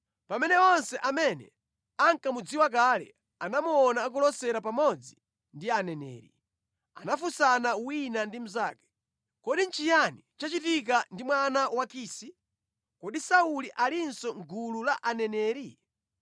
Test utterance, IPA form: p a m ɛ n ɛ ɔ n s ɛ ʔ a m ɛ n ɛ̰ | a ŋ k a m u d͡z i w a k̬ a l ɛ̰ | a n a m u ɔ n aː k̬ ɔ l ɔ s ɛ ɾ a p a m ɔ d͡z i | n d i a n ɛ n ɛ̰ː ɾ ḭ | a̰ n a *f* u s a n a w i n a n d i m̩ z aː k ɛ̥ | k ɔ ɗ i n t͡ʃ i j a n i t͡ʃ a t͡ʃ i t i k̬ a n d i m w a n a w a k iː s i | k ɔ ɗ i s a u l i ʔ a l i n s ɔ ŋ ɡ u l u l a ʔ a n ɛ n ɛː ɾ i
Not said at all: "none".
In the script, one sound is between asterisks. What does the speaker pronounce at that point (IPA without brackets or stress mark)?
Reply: f